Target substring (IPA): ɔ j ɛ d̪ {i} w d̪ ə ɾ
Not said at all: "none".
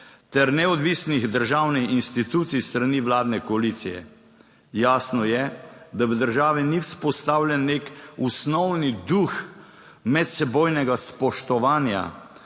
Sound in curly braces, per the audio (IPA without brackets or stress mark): a